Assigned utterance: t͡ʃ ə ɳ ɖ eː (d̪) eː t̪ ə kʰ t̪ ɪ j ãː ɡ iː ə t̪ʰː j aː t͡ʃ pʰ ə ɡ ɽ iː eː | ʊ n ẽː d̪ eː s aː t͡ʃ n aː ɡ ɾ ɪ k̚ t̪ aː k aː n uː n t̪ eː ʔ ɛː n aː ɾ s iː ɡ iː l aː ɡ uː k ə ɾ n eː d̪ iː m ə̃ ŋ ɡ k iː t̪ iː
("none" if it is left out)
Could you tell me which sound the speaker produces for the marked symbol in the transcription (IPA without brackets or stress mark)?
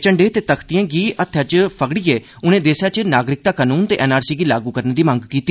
t̪